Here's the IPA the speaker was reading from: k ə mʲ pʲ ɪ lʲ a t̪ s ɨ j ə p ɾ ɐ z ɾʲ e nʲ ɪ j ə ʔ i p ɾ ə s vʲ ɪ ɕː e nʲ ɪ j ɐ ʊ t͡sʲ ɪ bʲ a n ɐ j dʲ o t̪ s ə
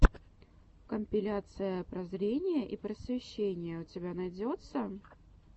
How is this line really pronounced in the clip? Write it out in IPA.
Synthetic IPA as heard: k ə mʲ pʲ ɪ lʲ a t̪ s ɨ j ə p ɾ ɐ z ɾʲ e nʲ ɪ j ə ʔ i p ɾ ə s vʲ ɪ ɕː e nʲ ɪ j ə ʊ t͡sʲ ɪ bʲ a n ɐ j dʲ o t̪ s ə